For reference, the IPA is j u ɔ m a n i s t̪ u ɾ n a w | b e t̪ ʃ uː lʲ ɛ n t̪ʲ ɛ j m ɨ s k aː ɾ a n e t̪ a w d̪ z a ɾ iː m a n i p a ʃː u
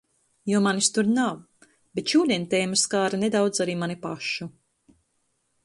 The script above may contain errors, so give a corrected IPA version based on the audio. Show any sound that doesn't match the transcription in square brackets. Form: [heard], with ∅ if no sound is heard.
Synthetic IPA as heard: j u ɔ m a n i s t̪ u ɾ n a w | b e t̪ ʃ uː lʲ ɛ n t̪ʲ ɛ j m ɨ s k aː ɾ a n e [d̪] a w d̪ z a ɾ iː m a n i p a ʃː u